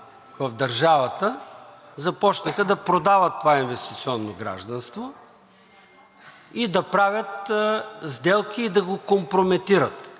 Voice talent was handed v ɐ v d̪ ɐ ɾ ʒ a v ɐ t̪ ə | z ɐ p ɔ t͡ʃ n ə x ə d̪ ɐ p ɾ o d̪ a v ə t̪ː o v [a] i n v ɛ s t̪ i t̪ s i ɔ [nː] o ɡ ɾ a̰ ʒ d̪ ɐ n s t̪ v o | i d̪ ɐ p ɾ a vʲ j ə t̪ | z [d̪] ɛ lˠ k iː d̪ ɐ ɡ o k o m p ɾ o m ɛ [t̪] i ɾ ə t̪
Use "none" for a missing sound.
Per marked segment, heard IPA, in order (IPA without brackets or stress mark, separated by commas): a, nː, d̪, t̪